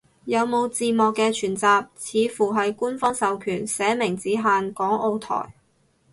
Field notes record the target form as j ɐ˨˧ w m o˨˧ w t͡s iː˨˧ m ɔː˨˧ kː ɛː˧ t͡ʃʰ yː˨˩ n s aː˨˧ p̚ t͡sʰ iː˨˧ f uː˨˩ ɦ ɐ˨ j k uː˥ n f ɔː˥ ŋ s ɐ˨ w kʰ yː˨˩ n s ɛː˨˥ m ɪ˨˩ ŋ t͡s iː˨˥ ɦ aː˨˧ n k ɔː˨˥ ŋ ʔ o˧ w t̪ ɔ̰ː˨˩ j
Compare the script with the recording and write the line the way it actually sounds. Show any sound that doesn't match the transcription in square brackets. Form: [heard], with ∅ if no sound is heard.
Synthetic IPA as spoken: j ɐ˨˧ w m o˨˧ w t͡s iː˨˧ m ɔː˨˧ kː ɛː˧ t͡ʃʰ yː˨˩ n [t͡s] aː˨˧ p̚ t͡sʰ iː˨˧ f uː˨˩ ɦ ɐ˨ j k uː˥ n f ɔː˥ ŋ s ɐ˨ w kʰ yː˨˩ n s ɛː˨˥ m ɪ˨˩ ŋ t͡s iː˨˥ ɦ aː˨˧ n k ɔː˨˥ ŋ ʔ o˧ w [t̪ʰ] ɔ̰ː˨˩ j